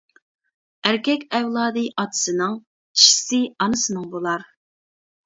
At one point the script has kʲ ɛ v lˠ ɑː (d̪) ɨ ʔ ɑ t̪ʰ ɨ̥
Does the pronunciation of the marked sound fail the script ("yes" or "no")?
no